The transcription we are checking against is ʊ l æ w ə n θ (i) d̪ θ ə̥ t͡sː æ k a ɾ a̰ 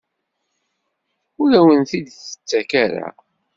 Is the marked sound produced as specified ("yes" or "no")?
yes